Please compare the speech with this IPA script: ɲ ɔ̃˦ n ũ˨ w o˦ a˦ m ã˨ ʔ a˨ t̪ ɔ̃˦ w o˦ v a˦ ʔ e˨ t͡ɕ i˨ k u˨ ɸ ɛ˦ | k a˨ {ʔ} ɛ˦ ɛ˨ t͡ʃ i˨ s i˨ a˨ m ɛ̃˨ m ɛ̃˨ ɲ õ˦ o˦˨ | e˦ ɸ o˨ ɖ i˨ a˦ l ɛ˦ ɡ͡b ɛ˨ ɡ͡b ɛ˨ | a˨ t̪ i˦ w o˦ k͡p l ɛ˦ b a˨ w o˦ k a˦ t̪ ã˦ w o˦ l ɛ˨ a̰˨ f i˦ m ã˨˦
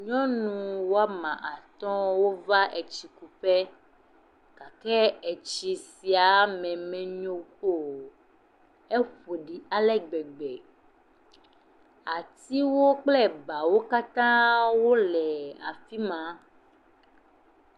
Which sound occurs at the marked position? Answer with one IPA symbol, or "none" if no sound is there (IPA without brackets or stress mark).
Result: k